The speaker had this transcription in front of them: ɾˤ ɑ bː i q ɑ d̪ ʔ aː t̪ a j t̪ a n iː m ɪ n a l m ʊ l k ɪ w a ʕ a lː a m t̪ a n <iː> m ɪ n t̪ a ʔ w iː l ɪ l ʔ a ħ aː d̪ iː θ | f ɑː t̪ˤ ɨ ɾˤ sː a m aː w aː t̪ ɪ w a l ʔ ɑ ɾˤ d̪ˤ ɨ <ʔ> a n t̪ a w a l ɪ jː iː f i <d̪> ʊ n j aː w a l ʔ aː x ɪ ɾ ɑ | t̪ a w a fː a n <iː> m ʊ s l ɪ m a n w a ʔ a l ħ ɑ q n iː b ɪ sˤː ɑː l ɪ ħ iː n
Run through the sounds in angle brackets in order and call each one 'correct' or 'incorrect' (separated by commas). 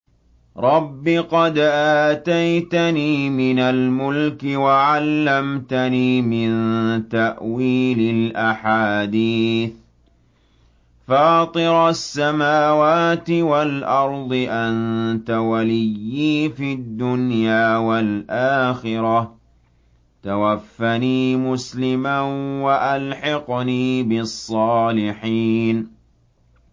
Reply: correct, correct, incorrect, correct